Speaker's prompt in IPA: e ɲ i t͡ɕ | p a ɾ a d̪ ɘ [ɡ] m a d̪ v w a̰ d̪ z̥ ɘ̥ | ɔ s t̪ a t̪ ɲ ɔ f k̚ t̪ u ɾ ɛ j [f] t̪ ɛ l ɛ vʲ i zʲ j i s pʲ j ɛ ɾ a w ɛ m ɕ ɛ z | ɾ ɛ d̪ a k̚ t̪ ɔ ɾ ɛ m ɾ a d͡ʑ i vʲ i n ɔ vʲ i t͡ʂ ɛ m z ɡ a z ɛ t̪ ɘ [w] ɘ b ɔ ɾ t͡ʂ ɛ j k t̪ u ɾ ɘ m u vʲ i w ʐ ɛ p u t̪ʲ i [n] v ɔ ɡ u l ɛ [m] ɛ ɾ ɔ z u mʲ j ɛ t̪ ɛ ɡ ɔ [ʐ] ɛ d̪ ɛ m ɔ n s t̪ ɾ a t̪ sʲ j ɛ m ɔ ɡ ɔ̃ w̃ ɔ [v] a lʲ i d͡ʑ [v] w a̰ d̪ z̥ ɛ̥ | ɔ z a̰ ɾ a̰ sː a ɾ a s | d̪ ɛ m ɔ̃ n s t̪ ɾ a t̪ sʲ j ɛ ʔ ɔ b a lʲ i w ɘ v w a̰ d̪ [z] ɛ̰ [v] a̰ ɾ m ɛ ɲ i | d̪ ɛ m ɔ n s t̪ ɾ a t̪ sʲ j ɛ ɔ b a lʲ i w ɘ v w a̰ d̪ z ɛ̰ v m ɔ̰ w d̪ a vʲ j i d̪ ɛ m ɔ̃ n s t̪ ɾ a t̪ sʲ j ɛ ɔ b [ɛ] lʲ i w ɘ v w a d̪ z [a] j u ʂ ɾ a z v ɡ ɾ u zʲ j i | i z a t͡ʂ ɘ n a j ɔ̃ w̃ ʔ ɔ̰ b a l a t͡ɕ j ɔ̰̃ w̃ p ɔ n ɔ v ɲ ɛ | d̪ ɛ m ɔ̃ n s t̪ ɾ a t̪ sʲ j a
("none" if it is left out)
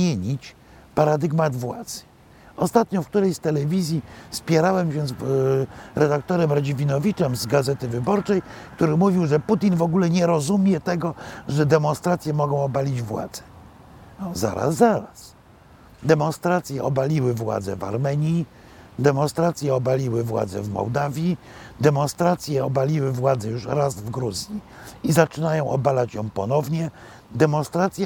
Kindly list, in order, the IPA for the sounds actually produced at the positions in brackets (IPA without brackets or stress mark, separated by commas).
ɡ, s, v, n, ɲ, ʐ, b, v, z, v, a, ɛ